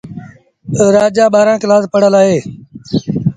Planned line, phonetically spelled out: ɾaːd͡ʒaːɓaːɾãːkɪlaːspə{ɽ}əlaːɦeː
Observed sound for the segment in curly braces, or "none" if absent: ɽ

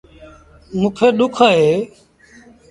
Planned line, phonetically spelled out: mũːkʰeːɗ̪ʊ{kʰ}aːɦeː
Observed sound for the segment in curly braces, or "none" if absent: kʰ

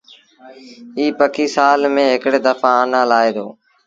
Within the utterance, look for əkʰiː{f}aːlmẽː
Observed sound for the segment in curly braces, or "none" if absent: s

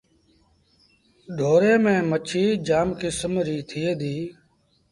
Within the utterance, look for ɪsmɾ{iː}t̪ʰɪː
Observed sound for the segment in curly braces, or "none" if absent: iː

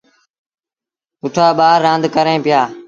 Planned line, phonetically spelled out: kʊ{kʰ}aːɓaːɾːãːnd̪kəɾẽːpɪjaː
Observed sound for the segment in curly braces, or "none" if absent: ʈʰ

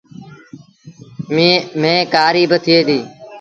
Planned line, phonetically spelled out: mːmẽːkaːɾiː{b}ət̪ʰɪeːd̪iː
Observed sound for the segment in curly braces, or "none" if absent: b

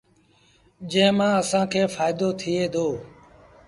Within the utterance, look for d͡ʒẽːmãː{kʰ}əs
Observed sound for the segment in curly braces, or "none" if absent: none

